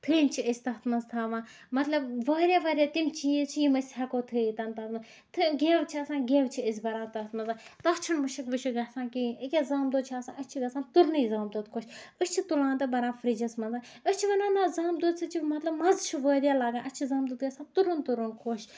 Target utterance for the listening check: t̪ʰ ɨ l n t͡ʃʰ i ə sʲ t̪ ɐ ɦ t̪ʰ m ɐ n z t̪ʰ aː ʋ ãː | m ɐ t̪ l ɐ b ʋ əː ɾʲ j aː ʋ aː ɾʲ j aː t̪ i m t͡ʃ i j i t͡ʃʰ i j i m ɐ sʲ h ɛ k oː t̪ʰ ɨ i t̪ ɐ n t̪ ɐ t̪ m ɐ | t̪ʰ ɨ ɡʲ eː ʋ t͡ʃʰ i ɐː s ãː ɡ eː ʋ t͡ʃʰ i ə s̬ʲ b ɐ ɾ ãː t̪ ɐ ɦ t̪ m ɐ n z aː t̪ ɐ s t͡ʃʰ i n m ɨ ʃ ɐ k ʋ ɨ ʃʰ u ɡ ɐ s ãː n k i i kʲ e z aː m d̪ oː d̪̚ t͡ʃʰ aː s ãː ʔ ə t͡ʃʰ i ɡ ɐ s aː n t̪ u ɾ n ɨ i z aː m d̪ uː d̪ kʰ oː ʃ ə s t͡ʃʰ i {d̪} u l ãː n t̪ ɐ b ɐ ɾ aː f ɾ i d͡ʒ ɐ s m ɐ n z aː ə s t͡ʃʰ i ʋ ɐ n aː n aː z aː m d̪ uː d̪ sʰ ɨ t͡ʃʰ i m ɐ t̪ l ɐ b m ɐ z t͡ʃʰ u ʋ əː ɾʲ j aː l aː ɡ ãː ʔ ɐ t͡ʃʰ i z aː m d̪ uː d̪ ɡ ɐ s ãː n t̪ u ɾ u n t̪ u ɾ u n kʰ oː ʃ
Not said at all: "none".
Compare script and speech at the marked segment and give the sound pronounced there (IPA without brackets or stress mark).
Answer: t̪